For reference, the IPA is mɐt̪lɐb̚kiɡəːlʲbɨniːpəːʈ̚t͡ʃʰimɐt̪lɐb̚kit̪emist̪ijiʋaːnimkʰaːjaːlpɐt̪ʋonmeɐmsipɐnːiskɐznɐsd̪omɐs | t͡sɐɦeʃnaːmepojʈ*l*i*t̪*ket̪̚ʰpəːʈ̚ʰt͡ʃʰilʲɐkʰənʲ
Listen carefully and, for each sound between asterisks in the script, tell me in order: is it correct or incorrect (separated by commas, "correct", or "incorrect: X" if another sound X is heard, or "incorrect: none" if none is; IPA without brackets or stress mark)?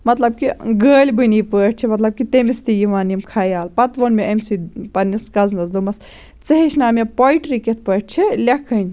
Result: incorrect: ɾ, incorrect: none